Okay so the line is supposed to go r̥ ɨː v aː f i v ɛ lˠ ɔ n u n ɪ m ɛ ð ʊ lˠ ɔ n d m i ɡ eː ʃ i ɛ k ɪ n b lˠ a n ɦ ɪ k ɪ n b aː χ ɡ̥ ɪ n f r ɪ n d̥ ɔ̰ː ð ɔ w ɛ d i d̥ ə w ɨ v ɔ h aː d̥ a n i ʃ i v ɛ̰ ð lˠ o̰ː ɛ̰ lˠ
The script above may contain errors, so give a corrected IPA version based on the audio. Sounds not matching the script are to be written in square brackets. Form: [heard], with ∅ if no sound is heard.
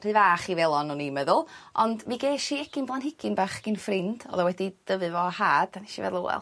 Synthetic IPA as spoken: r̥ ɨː v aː [χ] i v ɛ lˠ ɔ n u n [i] m ɛ ð ʊ lˠ ɔ n d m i ɡ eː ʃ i ɛ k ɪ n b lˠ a n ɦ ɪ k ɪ n b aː χ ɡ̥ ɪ n f r ɪ n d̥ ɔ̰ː ð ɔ w ɛ d i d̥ ə [v] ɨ v ɔ h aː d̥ a n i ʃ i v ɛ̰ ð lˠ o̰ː ɛ̰ lˠ